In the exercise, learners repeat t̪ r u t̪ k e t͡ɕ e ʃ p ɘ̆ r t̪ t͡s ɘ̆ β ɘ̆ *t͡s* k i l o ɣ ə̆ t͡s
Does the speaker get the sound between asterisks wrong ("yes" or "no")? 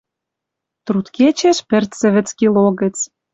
no